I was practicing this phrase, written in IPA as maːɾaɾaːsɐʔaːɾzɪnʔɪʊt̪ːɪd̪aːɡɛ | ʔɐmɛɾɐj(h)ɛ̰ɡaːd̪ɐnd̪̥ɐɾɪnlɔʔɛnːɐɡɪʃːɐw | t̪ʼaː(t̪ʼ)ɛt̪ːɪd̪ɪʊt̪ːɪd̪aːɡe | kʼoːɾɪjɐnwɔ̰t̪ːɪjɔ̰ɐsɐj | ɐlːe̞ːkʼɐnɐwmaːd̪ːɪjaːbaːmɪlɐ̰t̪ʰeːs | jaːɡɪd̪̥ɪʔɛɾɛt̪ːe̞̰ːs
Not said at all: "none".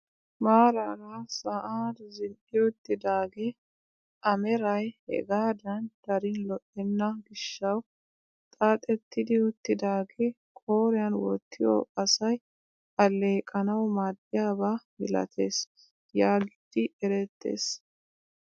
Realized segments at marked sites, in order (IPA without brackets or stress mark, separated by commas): h, t̪ʼ